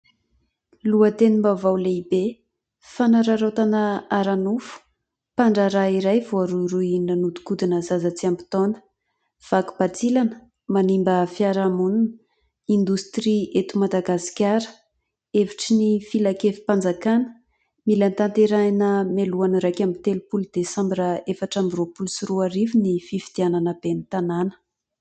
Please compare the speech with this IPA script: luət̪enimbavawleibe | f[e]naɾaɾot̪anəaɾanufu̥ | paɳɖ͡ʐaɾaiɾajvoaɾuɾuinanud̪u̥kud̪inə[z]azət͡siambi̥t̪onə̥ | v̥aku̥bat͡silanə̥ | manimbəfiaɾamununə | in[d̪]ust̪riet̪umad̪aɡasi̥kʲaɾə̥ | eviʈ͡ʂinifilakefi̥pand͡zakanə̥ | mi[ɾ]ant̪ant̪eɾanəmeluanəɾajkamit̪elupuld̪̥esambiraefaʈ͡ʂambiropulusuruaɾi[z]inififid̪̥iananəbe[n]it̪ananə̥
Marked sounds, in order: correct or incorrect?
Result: incorrect, correct, correct, incorrect, incorrect, correct

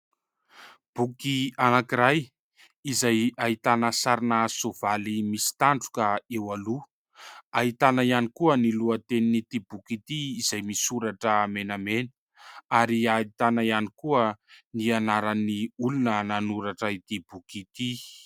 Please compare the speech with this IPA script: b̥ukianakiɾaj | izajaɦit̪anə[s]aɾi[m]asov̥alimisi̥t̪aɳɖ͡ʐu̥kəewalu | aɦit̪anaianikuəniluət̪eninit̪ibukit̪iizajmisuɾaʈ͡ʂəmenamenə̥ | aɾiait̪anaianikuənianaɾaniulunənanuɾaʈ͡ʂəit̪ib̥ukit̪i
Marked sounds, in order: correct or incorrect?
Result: correct, incorrect

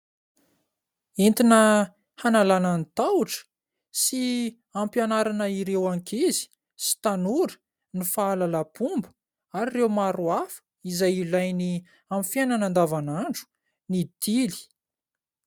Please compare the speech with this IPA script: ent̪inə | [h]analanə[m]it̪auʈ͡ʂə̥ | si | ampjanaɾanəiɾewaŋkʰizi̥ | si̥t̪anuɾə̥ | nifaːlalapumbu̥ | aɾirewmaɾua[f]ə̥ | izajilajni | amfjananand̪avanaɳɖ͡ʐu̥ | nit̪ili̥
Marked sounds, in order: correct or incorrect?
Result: correct, incorrect, correct

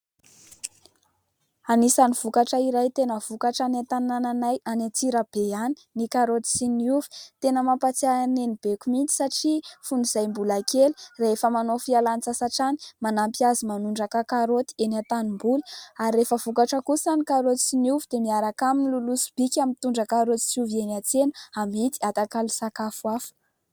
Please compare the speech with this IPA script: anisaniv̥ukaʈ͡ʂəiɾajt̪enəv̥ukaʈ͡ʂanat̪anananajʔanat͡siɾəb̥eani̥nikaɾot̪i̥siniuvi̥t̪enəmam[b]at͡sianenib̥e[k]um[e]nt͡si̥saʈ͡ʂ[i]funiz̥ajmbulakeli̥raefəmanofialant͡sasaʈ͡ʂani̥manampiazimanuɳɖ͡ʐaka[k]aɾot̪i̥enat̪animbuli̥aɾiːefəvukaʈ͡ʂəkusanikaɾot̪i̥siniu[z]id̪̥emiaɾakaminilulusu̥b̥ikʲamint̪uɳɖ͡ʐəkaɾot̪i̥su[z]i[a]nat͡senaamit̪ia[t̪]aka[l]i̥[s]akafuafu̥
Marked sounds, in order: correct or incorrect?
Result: incorrect, correct, incorrect, correct, correct, incorrect, incorrect, incorrect, correct, correct, correct

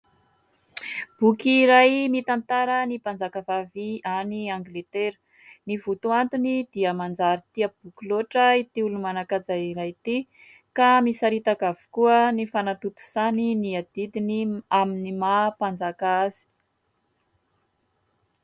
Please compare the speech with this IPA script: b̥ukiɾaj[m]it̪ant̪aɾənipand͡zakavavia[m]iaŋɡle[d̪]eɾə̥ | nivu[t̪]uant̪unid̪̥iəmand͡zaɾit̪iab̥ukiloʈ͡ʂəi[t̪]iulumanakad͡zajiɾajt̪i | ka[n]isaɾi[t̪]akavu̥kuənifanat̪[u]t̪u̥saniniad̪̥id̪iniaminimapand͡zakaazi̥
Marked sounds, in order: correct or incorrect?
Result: correct, incorrect, incorrect, correct, correct, incorrect, correct, correct

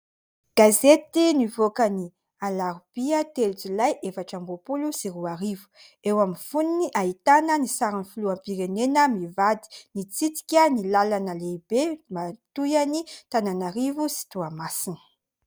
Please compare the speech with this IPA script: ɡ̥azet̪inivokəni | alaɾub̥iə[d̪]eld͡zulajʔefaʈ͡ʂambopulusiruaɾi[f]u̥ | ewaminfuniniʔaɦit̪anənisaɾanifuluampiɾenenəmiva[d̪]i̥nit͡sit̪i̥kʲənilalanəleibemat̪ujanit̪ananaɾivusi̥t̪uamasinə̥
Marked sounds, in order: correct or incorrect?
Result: incorrect, incorrect, correct

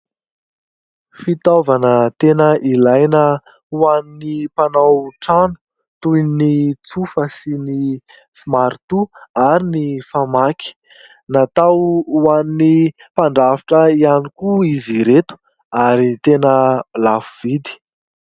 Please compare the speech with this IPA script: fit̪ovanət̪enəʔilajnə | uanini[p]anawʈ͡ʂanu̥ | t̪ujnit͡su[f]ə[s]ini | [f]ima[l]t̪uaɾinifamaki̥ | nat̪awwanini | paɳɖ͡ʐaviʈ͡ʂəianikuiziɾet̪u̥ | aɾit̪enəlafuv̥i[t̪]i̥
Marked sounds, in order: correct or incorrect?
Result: correct, correct, correct, correct, incorrect, incorrect

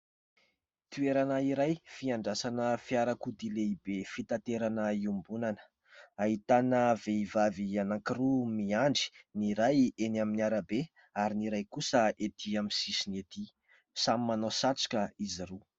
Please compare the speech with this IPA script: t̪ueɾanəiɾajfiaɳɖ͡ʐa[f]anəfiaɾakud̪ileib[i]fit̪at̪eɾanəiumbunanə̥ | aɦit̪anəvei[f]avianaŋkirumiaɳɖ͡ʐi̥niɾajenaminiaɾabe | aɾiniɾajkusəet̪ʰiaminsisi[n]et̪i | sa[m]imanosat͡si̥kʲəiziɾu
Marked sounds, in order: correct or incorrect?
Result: incorrect, incorrect, incorrect, correct, correct

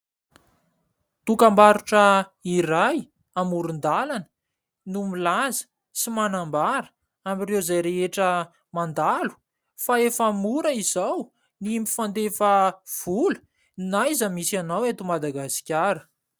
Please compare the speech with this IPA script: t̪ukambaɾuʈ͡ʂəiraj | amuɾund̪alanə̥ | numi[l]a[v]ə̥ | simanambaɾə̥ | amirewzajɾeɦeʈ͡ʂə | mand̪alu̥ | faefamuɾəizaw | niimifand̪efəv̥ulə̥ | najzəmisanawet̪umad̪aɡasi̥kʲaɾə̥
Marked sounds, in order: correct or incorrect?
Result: correct, incorrect

